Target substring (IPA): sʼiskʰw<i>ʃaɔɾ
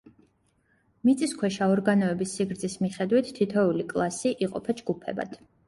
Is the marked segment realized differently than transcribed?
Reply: yes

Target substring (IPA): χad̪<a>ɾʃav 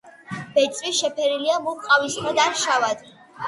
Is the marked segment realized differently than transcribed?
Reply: no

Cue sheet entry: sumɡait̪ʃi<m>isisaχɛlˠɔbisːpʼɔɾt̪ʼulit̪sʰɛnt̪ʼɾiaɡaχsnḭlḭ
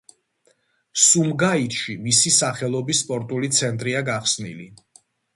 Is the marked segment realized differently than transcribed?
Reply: no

